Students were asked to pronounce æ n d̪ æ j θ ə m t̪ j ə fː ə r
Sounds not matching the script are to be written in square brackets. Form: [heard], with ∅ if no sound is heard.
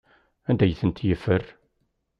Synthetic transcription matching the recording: æ n d̪ æ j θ ə [n] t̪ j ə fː ə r